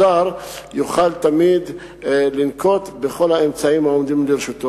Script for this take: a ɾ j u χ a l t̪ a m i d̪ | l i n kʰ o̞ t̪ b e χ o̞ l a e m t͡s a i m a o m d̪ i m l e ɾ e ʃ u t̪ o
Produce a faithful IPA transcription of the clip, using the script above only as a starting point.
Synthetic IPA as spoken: a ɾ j u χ a l t̪ a m i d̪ | l i n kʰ o̞ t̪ b e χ o̞ l a e m t͡s a i m a o m d̪ i m l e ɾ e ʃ u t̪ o